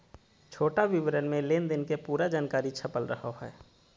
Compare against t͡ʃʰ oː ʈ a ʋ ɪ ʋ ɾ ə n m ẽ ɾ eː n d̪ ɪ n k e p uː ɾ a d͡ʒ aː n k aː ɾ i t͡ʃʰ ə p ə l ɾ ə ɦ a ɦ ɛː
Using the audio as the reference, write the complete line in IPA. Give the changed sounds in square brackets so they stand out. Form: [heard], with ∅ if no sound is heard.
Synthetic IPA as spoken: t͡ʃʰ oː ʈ a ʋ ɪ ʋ ɾ ə n m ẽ [l] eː n d̪ ɪ n k e p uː ɾ a d͡ʒ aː n k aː ɾ i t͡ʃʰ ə p ə l ɾ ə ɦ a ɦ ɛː